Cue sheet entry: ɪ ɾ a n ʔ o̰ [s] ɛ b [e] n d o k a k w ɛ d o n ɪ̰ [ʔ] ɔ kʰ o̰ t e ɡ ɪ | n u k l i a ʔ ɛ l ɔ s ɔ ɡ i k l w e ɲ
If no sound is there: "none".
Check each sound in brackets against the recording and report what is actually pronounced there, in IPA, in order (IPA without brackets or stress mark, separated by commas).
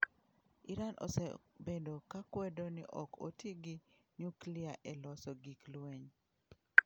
s, e, ʔ